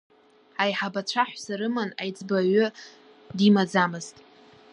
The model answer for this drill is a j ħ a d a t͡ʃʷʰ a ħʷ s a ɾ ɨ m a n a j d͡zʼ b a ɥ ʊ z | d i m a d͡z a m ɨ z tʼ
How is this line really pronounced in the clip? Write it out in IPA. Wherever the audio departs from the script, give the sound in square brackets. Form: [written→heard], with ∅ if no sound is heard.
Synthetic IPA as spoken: a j ħ a [d→b] a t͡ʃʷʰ a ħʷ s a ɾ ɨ m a n a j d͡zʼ b a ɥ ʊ [z→∅] | d i m a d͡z a m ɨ z tʼ